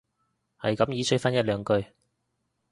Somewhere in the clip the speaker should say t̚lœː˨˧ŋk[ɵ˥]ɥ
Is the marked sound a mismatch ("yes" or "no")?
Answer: yes